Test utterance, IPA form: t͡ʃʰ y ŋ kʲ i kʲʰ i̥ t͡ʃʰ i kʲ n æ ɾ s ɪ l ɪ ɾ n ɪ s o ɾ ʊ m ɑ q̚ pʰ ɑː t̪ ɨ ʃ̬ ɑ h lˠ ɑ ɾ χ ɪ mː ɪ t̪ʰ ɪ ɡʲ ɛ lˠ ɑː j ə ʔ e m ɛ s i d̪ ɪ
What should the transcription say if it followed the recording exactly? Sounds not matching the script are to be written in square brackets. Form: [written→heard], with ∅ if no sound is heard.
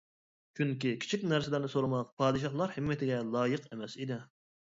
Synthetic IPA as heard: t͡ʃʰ y ŋ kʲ i kʲʰ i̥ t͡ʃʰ i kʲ n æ ɾ s ɪ l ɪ ɾ n ɪ s o ɾ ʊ m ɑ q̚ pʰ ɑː [t̪→d̪] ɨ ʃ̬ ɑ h lˠ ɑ ɾ [χ→h] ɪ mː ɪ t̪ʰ ɪ ɡʲ ɛ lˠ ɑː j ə [ʔ→q] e m ɛ s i d̪ ɪ